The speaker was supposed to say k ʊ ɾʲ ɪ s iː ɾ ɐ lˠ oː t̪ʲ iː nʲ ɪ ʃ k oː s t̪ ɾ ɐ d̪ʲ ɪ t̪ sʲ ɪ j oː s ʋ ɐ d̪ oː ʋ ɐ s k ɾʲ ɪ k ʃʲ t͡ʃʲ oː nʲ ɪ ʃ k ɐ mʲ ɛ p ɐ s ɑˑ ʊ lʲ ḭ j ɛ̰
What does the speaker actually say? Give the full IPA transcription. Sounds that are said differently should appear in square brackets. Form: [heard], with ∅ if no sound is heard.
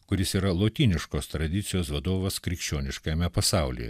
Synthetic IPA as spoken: k ʊ ɾʲ ɪ s iː ɾ ɐ lˠ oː t̪ʲ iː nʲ ɪ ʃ k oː s t̪ ɾ ɐ d̪ʲ ɪ t̪ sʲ ɪ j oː s ʋ ɐ d̪ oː ʋ ɐ s k ɾʲ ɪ k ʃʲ t͡ʃʲ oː nʲ ɪ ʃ k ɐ mʲ ɛ p ɐ s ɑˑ ʊ lʲ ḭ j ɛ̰

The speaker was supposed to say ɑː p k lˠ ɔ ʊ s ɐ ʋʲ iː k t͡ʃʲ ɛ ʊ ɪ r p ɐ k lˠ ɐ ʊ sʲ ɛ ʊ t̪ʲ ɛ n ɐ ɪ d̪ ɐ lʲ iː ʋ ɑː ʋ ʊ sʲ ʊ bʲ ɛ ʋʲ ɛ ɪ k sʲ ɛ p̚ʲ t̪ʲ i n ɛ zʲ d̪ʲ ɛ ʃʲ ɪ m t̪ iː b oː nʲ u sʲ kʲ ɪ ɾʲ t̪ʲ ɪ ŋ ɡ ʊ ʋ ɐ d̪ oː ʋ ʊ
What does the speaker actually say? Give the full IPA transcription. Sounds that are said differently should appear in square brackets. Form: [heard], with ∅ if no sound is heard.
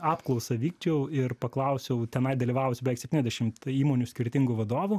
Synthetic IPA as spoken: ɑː p k lˠ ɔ ʊ s ɐ ʋʲ iː k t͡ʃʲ ɛ ʊ ɪ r p ɐ k lˠ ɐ ʊ sʲ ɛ ʊ t̪ʲ ɛ n ɐ ɪ d̪ ɐ lʲ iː ʋ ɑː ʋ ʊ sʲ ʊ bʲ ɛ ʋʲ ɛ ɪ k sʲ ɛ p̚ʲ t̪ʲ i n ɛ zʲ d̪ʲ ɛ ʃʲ ɪ m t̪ iː [m] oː nʲ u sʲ kʲ ɪ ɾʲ t̪ʲ ɪ ŋ ɡ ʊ ʋ ɐ d̪ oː ʋ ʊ

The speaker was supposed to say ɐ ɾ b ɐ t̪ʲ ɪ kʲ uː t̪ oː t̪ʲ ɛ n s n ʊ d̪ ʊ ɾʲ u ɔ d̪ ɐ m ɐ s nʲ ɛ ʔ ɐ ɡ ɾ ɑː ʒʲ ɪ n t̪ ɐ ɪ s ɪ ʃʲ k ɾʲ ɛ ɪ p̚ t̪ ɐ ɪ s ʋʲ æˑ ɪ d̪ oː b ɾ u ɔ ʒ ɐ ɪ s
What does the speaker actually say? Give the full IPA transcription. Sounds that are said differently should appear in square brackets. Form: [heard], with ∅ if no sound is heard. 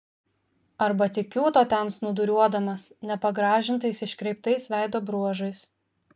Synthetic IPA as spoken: ɐ ɾ b ɐ t̪ʲ ɪ kʲ uː t̪ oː t̪ʲ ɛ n s n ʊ d̪ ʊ ɾʲ u ɔ d̪ ɐ m ɐ s nʲ ɛ [p] ɐ ɡ ɾ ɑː ʒʲ ɪ n t̪ ɐ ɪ s ɪ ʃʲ k ɾʲ ɛ ɪ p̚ t̪ ɐ ɪ s ʋʲ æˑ ɪ d̪ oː b ɾ u ɔ ʒ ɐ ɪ s

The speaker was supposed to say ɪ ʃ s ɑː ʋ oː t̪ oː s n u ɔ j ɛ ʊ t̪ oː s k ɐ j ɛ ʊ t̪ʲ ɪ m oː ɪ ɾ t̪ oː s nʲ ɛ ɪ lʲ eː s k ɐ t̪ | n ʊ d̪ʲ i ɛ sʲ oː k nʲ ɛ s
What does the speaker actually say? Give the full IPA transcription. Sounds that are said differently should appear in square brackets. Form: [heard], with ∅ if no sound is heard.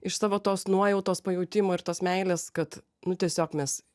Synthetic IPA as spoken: ɪ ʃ s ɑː ʋ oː t̪ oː s n u ɔ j ɛ ʊ t̪ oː s [p] ɐ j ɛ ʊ t̪ʲ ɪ m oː ɪ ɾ t̪ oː s [mʲ] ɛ ɪ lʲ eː s k ɐ t̪ | n ʊ [t̪ʲ] i ɛ sʲ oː k [mʲ] ɛ s

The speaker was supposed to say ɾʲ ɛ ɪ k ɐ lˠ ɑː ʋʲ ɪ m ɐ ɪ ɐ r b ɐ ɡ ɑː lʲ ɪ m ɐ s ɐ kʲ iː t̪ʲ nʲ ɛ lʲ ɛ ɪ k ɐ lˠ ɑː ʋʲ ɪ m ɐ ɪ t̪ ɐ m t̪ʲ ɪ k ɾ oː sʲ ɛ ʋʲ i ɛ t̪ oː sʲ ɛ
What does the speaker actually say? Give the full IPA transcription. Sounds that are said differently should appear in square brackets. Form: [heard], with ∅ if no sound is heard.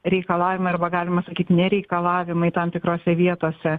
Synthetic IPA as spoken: ɾʲ ɛ ɪ k ɐ lˠ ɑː ʋʲ ɪ m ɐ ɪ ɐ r b ɐ ɡ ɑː lʲ ɪ m ɐ s ɐ kʲ iː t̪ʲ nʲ ɛ [ɾʲ] ɛ ɪ k ɐ lˠ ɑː ʋʲ ɪ m ɐ ɪ t̪ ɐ m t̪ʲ ɪ k ɾ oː sʲ ɛ ʋʲ i ɛ t̪ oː sʲ ɛ

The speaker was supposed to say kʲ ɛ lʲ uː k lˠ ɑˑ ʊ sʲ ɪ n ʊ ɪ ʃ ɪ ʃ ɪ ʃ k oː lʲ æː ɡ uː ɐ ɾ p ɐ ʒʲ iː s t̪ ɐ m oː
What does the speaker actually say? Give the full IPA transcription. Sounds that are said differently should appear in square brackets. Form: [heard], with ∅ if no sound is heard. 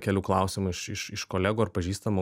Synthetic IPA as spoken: kʲ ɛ lʲ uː k lˠ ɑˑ ʊ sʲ ɪ [m] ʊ ɪ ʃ ɪ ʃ ɪ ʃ k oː lʲ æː ɡ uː ɐ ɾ p ɐ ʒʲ iː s t̪ ɐ m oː

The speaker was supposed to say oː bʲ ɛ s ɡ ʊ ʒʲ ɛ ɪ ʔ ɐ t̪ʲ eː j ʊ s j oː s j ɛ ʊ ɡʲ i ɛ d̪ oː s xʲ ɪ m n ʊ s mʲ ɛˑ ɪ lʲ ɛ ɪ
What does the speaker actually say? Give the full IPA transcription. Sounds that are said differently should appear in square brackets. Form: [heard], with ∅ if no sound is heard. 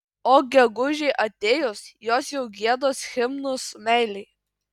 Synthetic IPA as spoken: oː [ɡʲ] ɛ [∅] ɡ ʊ ʒʲ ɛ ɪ ʔ ɐ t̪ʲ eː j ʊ s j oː s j ɛ ʊ ɡʲ i ɛ d̪ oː s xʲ ɪ m n ʊ s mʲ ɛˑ ɪ lʲ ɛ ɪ

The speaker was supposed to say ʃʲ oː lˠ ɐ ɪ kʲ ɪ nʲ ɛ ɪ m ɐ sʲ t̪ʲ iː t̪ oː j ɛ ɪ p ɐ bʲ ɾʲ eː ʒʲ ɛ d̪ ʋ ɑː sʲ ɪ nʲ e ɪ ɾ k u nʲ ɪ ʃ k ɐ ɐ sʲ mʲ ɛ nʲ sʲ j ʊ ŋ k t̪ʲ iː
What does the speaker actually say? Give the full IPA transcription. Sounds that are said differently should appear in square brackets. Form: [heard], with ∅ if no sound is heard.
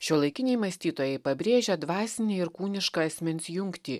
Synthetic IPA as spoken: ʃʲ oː lˠ ɐ ɪ kʲ ɪ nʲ ɛ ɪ m ɐ sʲ t̪ʲ iː t̪ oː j ɛ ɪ p ɐ bʲ ɾʲ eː ʒʲ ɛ d̪ ʋ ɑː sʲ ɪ nʲ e ɪ ɾ k [uː] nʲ ɪ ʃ k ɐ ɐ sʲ mʲ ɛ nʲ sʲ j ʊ ŋ k t̪ʲ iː

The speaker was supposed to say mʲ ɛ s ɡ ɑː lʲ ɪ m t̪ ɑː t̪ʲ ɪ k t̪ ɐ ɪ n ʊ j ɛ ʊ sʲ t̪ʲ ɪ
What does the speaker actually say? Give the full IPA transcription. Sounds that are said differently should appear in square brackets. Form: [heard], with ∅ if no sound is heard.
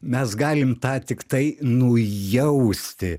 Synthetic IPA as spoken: mʲ ɛ s ɡ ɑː lʲ ɪ m t̪ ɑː t̪ʲ ɪ k t̪ ɐ ɪ n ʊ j ɛ ʊ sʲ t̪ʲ ɪ

